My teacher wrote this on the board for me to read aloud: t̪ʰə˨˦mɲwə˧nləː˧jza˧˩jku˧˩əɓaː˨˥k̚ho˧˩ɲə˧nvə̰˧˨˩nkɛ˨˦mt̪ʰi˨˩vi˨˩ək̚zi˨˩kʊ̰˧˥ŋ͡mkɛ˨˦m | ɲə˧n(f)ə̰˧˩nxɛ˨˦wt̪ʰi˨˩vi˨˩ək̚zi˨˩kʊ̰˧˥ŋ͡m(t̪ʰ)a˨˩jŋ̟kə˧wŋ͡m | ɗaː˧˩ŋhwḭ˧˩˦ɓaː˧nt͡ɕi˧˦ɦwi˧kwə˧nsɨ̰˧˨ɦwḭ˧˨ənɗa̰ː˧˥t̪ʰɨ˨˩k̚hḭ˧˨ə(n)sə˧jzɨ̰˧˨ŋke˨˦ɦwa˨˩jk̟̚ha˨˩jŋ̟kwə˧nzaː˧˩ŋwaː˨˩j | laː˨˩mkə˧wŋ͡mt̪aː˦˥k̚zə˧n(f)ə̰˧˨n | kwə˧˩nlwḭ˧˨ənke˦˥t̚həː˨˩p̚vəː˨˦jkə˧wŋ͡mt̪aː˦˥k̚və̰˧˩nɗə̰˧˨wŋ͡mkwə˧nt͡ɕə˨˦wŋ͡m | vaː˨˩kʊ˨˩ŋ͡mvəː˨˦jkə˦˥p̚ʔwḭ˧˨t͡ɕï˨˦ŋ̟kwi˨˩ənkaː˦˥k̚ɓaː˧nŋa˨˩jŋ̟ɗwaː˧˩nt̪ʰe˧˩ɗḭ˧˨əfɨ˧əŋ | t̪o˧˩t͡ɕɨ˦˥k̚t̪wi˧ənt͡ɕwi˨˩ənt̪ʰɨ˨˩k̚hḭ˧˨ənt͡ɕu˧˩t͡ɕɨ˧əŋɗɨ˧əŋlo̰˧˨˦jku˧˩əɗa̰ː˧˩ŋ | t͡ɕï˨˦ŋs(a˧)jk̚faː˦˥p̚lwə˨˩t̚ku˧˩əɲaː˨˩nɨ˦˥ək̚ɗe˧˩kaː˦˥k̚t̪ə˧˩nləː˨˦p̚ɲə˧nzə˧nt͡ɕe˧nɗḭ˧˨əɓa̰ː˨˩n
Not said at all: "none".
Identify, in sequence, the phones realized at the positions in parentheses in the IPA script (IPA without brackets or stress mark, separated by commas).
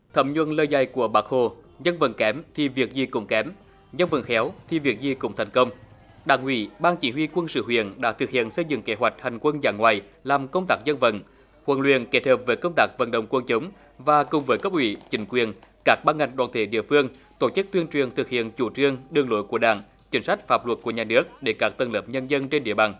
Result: v, t̪ʰ, n, v, a˦˥